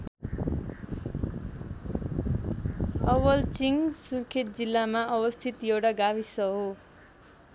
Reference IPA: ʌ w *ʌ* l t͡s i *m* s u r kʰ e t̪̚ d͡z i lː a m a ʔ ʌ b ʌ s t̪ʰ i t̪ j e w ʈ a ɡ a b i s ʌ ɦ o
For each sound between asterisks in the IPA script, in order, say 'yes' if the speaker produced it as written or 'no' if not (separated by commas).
yes, no